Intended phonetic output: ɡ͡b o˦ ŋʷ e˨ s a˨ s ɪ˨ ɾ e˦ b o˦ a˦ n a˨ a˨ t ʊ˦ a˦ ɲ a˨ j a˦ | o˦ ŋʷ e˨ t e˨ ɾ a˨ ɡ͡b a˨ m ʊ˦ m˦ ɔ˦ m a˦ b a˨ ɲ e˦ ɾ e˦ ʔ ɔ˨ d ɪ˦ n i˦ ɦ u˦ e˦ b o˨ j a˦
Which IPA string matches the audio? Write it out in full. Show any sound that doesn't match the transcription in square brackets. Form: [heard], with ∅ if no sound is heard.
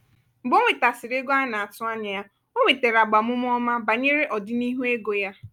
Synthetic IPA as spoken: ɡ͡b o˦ ŋʷ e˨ [t] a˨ s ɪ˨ ɾ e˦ [ɡ] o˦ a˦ n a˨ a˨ t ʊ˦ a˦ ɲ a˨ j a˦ | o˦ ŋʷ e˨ t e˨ ɾ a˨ ɡ͡b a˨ m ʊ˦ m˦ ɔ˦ m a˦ b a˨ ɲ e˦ ɾ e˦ ʔ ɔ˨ d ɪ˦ n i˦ ɦ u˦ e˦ [ɡ] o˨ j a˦

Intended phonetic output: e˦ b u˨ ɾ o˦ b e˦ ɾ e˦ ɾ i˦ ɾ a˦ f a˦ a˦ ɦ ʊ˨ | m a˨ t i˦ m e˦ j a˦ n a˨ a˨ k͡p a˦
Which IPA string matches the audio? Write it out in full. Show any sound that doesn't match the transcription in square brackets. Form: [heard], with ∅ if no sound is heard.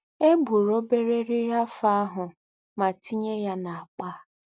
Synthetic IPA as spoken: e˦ b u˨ ɾ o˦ b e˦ ɾ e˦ ɾ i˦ ɾ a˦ f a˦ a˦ ɦ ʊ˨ | m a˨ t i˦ [ɲ] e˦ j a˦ n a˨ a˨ k͡p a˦

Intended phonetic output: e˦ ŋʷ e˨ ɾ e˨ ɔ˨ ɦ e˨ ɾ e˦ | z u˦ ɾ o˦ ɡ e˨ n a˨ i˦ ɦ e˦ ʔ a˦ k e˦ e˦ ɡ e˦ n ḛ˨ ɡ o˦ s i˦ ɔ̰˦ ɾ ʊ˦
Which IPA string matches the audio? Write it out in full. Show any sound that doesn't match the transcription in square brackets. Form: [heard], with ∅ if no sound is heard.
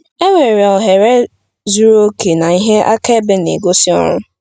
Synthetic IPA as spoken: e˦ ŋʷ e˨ ɾ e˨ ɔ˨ ɦ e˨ ɾ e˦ | z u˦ ɾ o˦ [k] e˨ n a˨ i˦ ɦ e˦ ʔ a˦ k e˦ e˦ [b] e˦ n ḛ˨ ɡ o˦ s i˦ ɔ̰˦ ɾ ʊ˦

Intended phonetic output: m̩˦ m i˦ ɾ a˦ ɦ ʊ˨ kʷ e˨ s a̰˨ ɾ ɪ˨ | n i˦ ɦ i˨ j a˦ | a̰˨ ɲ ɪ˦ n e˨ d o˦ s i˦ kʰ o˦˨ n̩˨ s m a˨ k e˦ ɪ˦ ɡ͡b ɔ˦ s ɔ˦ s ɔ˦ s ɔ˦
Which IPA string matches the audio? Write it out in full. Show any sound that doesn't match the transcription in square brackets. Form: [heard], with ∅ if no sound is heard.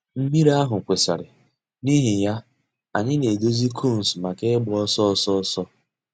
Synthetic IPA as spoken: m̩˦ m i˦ ɾ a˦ ɦ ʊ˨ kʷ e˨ s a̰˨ ɾ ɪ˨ | n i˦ ɦ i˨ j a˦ | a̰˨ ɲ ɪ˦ n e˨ d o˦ [z] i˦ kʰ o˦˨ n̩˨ s m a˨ k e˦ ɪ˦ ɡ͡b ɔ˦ s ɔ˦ s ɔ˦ s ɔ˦

